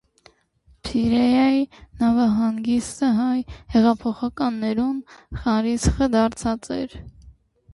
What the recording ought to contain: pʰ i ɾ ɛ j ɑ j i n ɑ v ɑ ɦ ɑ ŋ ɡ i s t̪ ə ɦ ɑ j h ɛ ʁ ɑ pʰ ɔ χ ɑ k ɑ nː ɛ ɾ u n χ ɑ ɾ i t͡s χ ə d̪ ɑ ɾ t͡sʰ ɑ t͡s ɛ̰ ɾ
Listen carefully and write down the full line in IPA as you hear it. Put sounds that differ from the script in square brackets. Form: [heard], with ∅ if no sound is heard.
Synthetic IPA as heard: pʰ i ɾ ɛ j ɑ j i n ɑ v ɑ ɦ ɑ ŋ ɡ i s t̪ ə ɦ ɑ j h ɛ ʁ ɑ pʰ ɔ χ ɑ k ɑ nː ɛ ɾ u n χ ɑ ɾ i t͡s χ ə d̪ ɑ ɾ t͡sʰ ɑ t͡s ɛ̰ ɾ